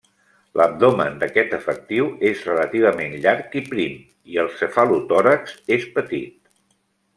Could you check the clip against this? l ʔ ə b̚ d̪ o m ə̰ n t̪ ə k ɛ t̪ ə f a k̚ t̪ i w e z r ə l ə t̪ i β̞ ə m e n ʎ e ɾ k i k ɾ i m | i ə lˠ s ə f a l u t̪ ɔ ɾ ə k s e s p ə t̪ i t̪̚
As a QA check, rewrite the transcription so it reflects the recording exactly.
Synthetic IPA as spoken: l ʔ ə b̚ d̪ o m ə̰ n d̪ ə k ɛ t̪ ə f ə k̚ t̪ i w e z r ə l ə t̪ i β̞ ə m e n ʎ a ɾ k i p ɾ i m | i ə lˠ s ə f a l u t̪ ɔ ɾ ə k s e s p ə t̪ i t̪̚